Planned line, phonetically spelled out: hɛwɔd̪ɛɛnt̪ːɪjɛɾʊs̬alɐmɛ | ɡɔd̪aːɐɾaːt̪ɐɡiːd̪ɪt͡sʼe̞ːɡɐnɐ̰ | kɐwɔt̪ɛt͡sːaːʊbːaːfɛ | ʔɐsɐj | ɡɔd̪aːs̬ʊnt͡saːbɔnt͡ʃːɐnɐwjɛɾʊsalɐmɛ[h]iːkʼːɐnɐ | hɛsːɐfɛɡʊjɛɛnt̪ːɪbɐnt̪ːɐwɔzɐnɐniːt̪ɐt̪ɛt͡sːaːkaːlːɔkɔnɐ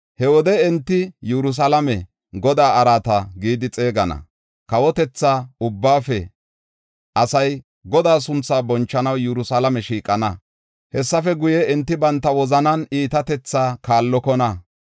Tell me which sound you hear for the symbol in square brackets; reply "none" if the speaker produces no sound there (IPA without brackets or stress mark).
ʃ